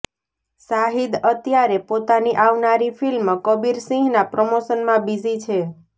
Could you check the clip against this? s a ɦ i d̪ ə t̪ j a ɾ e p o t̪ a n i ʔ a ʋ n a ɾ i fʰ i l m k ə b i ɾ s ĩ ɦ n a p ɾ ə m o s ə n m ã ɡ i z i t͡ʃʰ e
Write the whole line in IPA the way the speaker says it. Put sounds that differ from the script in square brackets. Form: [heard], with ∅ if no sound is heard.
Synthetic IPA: s a ɦ i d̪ ə t̪ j a ɾ e p o t̪ a n i ʔ a ʋ n a ɾ i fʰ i l m k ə b i ɾ s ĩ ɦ n a p ɾ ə m o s ə n m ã [b] i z i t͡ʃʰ e